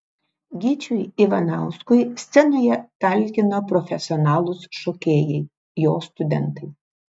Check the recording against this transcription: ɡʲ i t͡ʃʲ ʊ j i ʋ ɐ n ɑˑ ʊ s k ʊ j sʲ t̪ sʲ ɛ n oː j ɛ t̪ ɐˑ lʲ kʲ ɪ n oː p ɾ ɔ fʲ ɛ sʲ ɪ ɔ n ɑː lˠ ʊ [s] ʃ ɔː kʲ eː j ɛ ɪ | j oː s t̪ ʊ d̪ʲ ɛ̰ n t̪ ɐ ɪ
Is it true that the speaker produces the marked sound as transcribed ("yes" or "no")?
yes